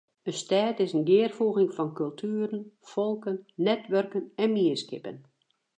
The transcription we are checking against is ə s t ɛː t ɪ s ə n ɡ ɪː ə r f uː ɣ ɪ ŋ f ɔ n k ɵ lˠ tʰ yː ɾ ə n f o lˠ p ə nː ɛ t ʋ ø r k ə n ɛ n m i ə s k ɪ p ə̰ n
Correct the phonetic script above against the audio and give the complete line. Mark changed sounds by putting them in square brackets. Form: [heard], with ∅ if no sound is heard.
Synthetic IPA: ə s t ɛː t ɪ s ə n ɡ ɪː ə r f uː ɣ ɪ ŋ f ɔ n k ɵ lˠ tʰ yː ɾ ə n f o lˠ [k] ə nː ɛ t ʋ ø r k ə n ɛ n m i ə s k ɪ p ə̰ n

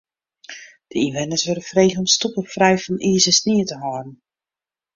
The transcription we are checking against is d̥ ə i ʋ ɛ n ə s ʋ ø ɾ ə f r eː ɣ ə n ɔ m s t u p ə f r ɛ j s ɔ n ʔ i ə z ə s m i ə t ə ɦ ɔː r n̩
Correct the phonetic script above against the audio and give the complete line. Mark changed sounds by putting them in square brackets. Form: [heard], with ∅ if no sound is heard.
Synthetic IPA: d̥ ə i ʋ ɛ n ə s ʋ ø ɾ ə f r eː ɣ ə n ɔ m s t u p ə f r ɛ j [f] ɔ n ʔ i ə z ə s [n] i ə t ə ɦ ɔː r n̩

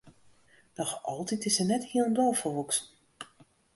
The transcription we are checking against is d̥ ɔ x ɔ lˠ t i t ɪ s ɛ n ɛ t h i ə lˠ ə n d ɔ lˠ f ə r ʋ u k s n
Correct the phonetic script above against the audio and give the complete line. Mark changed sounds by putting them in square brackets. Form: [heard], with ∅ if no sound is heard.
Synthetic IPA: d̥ ɔ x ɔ lˠ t i t ɪ s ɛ n ɛ t h i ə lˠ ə n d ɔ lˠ f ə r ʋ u k s n

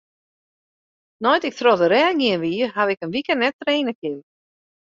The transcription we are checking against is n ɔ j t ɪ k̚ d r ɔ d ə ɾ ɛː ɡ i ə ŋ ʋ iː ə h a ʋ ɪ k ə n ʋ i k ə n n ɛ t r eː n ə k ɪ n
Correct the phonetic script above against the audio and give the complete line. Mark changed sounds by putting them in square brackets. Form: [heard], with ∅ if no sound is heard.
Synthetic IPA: n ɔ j t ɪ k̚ [t] r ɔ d ə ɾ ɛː ɡ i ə [n] ʋ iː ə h a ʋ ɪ k ə n ʋ i k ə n n ɛ t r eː n ə k ɪ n

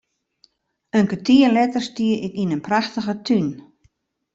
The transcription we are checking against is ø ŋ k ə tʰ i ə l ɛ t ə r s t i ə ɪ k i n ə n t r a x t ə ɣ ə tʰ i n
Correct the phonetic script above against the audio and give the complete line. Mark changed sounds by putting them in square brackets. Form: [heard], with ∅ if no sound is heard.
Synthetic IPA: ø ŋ k ə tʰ i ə l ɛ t ə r s t i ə ɪ k i n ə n [p] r a x t ə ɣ ə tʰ [y] n

